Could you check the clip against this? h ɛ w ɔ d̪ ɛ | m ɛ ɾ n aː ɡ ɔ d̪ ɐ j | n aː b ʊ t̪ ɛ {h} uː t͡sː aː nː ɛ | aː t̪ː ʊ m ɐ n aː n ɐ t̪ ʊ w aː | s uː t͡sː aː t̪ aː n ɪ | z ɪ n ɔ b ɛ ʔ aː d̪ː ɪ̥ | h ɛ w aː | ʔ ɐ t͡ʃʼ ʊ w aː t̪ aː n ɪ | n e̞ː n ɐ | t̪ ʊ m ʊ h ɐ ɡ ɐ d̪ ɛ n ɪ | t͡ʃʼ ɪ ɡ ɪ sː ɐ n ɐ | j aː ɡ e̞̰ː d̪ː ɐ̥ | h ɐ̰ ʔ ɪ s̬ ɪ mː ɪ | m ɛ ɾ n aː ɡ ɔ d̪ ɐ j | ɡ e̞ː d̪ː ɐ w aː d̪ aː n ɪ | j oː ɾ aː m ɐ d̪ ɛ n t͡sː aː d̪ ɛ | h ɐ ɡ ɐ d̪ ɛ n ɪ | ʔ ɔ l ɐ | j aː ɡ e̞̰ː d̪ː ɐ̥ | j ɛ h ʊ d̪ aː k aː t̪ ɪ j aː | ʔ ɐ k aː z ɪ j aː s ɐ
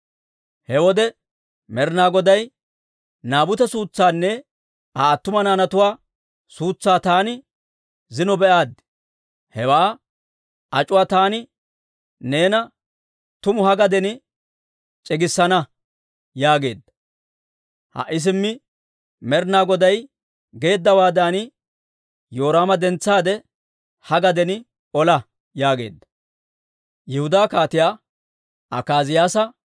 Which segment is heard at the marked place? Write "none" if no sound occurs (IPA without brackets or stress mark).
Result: s